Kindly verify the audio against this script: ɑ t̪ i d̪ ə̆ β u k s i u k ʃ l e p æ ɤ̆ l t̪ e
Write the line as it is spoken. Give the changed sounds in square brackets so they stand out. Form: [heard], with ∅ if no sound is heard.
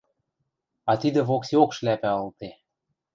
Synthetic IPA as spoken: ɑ t̪ i d̪ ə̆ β [o] k s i [o] k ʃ l [æ] p æ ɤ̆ l t̪ e